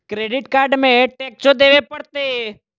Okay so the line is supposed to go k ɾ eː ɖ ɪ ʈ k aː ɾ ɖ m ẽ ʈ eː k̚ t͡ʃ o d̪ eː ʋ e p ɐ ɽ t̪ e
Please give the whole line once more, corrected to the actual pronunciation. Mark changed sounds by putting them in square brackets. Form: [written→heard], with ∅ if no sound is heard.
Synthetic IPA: k ɾ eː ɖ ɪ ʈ k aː ɾ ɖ m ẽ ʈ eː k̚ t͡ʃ o d̪ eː ʋ e p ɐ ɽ t̪ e